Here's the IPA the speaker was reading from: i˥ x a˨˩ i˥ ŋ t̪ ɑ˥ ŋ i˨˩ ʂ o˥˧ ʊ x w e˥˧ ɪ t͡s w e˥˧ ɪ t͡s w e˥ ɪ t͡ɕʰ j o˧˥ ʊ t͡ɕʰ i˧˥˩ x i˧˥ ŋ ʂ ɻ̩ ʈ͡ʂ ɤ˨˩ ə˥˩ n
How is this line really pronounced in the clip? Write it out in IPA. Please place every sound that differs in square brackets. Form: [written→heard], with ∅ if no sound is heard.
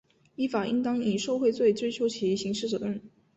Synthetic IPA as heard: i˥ [x→f] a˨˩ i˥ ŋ t̪ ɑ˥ ŋ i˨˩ ʂ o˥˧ ʊ x w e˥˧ ɪ t͡s w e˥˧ ɪ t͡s w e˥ ɪ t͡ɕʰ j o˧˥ ʊ t͡ɕʰ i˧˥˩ [x→ɕ] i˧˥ ŋ ʂ ɻ̩ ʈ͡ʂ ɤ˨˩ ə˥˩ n